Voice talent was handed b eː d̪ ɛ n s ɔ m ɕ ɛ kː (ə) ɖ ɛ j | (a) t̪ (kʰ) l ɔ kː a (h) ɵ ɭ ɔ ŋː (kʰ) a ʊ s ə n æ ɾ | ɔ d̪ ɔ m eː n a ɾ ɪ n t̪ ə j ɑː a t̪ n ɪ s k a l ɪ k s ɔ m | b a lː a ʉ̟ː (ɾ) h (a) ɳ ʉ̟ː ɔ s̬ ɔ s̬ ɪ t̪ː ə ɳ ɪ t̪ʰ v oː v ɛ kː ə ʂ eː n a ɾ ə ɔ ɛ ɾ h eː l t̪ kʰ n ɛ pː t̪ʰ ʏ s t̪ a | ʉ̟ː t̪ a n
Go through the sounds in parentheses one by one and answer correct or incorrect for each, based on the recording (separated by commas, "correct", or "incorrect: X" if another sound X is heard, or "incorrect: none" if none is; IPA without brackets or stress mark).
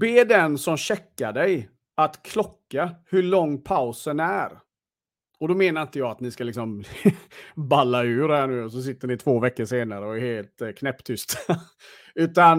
incorrect: a, correct, correct, correct, incorrect: pʰ, correct, incorrect: æ